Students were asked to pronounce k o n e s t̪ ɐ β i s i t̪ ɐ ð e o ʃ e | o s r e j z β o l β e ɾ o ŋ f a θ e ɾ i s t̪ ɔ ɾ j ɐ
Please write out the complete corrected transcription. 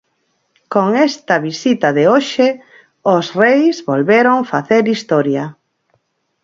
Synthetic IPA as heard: k o ŋ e s t̪ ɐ β i s i t̪ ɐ ð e o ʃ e | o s r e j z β o l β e ɾ o ŋ f a θ e ɾ i s t̪ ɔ ɾ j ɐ